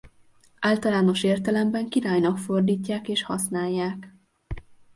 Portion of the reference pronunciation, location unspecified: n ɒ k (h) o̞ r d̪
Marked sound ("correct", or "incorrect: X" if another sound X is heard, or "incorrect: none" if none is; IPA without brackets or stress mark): incorrect: f